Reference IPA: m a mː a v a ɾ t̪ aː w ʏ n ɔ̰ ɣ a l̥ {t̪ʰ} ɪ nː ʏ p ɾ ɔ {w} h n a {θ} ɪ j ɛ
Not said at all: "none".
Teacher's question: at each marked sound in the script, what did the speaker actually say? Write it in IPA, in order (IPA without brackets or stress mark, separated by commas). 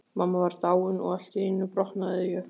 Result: t̪, none, ð